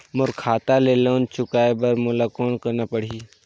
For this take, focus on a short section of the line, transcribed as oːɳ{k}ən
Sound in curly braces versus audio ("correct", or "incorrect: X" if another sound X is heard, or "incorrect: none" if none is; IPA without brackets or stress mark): correct